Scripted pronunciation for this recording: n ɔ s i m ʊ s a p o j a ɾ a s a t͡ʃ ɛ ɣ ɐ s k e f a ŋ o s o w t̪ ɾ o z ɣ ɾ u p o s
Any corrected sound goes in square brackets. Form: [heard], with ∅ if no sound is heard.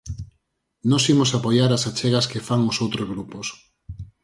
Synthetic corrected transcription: n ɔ s i m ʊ s a p o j a ɾ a s a t͡ʃ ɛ ɣ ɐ s k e f a ŋ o s o w t̪ ɾ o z ɣ ɾ u p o s